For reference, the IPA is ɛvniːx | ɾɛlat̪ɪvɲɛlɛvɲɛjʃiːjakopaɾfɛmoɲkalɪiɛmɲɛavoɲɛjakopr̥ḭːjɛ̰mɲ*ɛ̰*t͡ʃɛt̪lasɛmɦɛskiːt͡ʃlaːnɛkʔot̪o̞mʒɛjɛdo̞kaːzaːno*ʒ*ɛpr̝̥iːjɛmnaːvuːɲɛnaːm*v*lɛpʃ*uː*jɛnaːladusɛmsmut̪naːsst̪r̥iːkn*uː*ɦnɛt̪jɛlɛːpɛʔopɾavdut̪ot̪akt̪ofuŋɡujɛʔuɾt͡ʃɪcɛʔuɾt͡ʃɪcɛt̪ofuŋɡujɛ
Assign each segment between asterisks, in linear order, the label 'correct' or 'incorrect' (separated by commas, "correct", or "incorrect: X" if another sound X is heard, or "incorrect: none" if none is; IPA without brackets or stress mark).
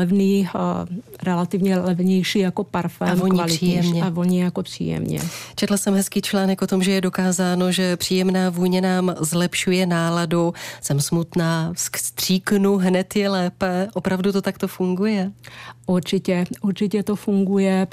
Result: correct, correct, incorrect: z, incorrect: u, incorrect: u